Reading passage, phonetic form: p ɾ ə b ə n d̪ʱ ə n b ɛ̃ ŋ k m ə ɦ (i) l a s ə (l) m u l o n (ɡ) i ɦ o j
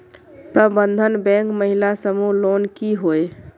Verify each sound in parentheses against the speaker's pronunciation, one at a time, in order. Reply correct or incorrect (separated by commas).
correct, incorrect, incorrect